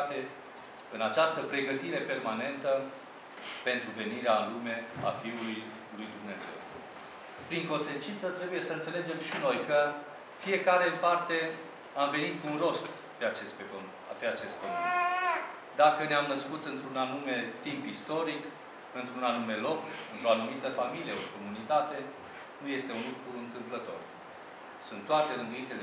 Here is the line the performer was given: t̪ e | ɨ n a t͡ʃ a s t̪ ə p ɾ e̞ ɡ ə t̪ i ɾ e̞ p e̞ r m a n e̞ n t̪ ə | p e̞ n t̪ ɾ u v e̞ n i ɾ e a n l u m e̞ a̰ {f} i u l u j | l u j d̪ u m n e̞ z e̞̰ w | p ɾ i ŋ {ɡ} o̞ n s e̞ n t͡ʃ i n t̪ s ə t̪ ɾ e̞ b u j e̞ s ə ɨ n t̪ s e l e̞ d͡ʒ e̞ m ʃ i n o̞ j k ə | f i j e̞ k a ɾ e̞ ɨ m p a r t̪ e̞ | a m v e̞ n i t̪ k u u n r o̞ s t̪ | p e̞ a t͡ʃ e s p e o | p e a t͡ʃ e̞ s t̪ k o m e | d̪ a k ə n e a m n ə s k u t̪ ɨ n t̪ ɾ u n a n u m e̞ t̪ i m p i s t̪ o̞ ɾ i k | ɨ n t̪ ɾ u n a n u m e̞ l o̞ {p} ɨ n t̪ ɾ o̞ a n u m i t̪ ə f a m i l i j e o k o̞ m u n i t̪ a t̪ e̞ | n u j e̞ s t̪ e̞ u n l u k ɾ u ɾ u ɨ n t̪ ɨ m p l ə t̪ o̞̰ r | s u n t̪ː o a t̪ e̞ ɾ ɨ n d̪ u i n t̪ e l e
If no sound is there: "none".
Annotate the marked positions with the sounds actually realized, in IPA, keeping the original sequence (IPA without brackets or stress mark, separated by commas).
f, k, k